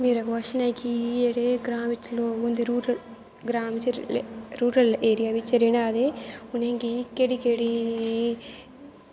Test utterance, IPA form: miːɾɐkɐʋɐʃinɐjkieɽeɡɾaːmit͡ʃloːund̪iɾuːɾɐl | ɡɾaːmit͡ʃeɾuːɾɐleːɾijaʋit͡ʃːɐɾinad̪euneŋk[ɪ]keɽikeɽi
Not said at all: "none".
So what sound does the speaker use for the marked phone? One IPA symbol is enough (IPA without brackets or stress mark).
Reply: i